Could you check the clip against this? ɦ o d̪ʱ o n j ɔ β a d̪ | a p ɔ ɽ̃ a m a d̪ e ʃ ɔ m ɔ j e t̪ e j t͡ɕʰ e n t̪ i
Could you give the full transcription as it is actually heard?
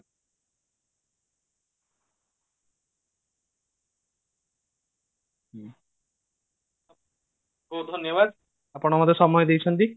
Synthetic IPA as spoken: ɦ o d̪ʱ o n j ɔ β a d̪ | a p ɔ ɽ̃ a m a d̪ e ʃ ɔ m ɔ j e d̪ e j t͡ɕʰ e n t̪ i